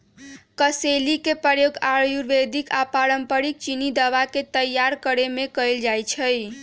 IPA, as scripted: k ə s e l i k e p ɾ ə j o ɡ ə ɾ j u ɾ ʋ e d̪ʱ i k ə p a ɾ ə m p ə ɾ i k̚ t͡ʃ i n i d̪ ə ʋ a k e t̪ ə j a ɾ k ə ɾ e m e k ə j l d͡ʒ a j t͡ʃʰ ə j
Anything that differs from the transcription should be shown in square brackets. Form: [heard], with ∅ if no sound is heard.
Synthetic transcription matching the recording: k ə s e l i k e p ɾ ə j o ɡ [a] ɾ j u ɾ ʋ e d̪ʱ i k [a] p a ɾ ə m p ə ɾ i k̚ t͡ʃ i n i d̪ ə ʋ a k e t̪ ə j a ɾ k ə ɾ e m e k ə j l d͡ʒ a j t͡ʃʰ ə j